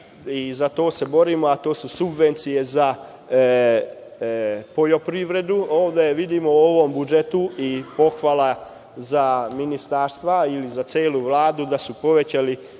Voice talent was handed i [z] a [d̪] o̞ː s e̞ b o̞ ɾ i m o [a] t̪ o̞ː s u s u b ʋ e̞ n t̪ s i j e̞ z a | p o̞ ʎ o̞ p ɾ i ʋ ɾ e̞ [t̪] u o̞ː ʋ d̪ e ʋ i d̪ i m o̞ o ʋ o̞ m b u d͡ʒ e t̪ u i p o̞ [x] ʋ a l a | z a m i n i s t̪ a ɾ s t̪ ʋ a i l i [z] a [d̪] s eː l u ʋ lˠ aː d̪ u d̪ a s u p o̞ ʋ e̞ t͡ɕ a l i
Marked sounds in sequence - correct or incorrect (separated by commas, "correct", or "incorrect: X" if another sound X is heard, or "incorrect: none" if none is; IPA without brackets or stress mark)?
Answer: correct, incorrect: t̪, correct, incorrect: d̪, correct, correct, incorrect: t̪